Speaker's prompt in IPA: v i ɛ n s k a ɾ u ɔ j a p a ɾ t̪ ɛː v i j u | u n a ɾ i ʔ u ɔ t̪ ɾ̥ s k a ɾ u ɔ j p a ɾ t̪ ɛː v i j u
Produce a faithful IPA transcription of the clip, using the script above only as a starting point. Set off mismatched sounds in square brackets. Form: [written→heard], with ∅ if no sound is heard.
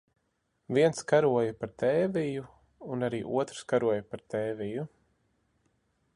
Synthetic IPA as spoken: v i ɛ n s k a ɾ u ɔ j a p a ɾ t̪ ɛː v i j u | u n a ɾ [i→iː] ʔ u ɔ t̪ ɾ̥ s k a ɾ u ɔ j p a ɾ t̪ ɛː v i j u